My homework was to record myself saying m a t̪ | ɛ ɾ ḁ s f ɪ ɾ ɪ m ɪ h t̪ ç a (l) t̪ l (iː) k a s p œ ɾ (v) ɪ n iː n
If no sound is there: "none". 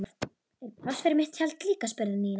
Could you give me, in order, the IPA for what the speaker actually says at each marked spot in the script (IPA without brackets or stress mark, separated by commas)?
l, iː, ð